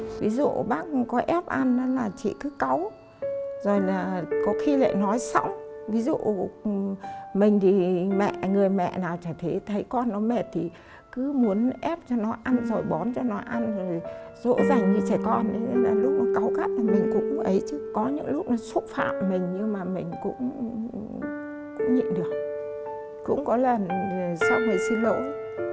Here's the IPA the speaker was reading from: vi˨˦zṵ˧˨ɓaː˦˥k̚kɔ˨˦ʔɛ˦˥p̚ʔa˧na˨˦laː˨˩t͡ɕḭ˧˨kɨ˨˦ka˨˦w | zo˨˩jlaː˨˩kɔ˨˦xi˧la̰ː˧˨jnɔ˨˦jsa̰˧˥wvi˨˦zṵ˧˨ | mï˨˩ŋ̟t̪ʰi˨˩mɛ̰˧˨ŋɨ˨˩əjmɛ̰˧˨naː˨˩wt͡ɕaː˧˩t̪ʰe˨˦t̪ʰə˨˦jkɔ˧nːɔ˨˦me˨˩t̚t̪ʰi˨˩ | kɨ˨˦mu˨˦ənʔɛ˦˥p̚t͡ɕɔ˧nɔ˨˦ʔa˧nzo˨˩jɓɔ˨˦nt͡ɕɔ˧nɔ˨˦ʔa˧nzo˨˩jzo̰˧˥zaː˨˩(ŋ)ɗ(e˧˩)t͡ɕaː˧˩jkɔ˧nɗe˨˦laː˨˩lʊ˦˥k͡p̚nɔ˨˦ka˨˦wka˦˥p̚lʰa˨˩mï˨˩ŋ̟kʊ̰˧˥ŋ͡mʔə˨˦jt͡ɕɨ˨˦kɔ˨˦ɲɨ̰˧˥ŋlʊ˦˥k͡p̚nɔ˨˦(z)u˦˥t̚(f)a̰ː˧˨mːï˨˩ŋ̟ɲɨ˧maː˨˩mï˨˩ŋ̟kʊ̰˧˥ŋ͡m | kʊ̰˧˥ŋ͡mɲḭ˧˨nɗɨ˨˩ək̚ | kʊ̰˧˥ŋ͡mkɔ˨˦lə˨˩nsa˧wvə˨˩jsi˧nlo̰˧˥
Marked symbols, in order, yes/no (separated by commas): yes, no, no, yes